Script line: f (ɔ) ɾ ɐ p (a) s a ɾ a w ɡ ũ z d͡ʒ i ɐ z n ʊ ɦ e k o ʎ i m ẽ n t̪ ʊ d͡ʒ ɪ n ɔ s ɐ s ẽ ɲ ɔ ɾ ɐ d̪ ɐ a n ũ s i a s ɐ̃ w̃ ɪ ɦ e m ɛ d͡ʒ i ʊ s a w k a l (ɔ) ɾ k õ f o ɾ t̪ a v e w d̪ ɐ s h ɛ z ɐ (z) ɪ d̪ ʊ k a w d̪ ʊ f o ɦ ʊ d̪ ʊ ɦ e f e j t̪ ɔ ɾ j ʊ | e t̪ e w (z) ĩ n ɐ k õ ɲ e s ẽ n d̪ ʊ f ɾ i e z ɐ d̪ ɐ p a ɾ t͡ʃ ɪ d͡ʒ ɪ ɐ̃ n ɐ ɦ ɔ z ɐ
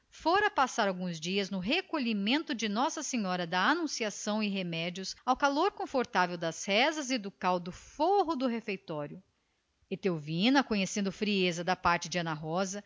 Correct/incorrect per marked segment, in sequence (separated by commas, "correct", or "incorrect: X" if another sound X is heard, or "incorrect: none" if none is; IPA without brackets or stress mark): incorrect: o, correct, incorrect: o, correct, incorrect: v